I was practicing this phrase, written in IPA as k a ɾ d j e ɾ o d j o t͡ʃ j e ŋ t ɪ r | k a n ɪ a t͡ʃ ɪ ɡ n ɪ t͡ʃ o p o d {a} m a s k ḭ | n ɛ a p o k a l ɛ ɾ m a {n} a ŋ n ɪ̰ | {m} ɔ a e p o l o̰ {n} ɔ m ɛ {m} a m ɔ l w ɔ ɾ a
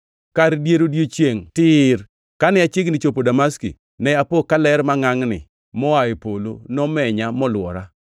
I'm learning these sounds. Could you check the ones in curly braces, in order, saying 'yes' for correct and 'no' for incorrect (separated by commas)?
yes, no, yes, yes, no